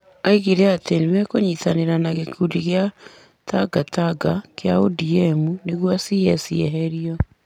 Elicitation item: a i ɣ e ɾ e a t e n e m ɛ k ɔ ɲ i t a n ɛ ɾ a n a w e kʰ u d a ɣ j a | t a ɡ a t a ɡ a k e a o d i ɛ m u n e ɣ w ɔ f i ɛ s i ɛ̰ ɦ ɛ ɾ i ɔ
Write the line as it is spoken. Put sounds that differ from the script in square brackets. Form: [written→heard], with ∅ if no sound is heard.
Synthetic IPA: a i ɣ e ɾ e a t e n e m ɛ k [ɔ→o] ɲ i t a n [ɛ→e] ɾ a n a [w→ɣ] e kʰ u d [a→i] ɣ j a | t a ɡ a t a ɡ a k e a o d i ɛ m u n e ɣ w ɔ [f→s] i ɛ s i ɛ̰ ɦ ɛ ɾ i ɔ